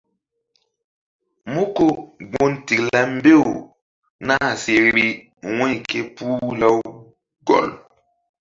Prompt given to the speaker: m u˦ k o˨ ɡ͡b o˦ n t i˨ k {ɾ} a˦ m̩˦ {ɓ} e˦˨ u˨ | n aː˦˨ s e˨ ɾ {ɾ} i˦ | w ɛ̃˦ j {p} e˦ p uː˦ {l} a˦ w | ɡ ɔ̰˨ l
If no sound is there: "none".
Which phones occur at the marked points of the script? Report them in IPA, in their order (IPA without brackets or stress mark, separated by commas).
l, b, ɾ, k, l